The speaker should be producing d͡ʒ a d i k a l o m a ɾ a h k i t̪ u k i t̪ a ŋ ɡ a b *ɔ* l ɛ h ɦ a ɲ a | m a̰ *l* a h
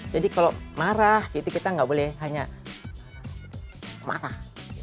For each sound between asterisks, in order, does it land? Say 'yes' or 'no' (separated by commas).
no, no